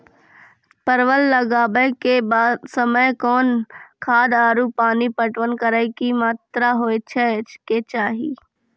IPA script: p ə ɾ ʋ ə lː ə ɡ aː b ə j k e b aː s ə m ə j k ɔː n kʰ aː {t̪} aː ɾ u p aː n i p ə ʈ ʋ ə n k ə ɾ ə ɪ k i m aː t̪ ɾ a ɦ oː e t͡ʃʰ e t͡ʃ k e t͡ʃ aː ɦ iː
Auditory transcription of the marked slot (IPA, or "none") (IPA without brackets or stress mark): d̪